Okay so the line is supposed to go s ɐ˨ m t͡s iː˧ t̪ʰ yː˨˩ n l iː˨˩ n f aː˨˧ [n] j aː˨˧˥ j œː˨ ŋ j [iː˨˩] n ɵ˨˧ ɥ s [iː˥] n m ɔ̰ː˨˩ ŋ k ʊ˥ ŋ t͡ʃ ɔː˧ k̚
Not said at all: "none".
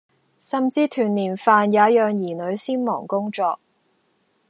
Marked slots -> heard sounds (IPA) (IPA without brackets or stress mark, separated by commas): n, iː˨˩, iː˥